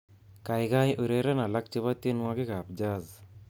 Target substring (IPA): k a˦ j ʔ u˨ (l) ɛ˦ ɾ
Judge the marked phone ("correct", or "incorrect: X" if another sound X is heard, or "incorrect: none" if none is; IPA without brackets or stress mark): incorrect: ɾ